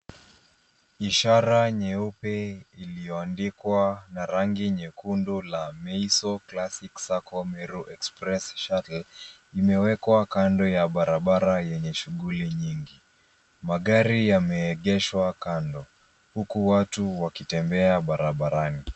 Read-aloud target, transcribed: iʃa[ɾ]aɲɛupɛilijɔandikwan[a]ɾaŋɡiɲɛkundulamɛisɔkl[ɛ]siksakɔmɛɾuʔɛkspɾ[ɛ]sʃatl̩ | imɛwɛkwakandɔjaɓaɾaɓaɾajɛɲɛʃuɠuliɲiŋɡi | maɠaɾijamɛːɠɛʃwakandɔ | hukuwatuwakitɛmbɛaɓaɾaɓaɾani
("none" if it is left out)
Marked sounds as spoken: ɾ, a, a, ɛ

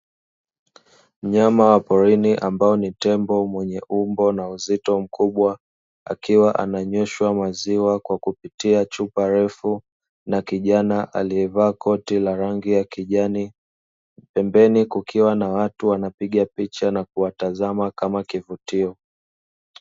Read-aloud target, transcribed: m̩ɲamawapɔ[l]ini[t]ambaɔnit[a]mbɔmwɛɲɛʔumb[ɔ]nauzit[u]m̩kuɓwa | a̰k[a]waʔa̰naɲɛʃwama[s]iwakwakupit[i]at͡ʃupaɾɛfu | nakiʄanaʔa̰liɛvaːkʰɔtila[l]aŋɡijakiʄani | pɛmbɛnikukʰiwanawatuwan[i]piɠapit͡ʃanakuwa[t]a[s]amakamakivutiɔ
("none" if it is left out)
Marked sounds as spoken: ɾ, ʔ, ɛ, ɔ, ɔ, i, z, i, ɾ, a, t, z

